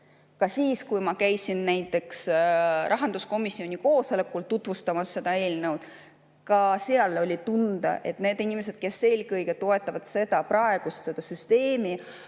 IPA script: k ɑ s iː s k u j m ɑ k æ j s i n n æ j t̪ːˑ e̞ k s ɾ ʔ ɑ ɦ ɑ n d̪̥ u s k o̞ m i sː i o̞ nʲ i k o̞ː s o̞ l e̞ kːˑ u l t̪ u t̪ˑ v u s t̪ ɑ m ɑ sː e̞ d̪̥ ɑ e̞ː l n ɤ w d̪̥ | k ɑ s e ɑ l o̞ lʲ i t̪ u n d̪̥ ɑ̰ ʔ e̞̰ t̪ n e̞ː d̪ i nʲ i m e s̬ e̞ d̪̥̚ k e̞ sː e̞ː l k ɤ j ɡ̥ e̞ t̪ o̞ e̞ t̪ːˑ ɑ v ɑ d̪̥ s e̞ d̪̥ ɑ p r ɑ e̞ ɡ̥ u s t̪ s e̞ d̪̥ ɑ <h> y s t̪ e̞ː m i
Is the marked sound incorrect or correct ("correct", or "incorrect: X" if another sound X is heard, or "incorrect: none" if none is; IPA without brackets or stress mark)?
incorrect: s